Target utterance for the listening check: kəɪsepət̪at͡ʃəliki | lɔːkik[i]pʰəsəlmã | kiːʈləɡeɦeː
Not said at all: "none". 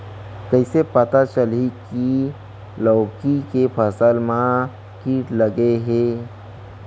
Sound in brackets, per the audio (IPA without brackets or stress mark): e